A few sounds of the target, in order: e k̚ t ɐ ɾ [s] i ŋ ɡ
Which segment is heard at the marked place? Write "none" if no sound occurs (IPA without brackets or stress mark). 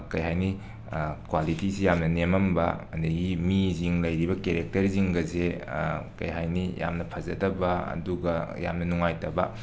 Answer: z